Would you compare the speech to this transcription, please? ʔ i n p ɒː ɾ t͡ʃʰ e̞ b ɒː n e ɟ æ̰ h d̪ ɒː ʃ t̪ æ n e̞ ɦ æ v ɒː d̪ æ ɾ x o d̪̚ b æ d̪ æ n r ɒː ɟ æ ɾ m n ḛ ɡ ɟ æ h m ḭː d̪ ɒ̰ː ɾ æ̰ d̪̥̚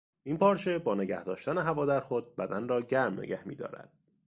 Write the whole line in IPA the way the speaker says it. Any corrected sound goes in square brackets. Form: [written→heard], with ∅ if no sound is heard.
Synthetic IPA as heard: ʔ i n p ɒː ɾ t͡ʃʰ e̞ b ɒː n e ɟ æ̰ h d̪ ɒː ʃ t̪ æ n e̞ ɦ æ v ɒː d̪ æ ɾ x o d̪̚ b æ d̪ æ n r ɒː ɟ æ ɾ m n ḛ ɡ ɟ æ h m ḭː d̪ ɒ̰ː ɾ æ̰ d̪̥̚